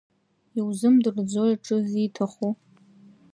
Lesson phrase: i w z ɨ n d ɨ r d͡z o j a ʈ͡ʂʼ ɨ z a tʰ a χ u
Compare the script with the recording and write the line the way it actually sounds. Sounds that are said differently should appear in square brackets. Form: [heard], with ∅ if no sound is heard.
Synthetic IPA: i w z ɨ [m] d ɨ r d͡z o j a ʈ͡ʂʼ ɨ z [i] tʰ a χ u